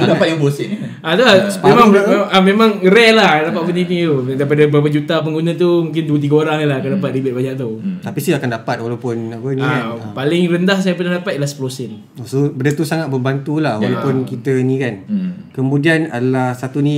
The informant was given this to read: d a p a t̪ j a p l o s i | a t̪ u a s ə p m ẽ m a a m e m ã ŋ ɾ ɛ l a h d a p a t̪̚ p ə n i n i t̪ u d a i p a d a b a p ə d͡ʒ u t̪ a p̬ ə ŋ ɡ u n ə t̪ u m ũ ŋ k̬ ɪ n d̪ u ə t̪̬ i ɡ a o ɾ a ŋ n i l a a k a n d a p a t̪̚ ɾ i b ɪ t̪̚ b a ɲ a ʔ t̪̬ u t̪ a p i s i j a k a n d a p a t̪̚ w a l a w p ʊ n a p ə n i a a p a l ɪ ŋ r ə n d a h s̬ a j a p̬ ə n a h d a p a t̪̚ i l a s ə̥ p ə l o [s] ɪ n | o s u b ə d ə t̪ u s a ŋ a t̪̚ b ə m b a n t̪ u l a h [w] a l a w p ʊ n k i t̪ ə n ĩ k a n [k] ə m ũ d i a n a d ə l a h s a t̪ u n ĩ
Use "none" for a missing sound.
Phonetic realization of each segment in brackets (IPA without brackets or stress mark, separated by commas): s, w, k